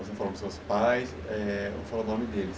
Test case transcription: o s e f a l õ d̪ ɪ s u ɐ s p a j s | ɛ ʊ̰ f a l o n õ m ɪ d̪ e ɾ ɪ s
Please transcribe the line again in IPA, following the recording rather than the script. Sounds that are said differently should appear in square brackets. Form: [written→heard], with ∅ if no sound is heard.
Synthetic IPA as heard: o s e f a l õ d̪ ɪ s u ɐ s p a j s | ɛ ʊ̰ f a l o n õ m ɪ d̪ e [ɾ→l] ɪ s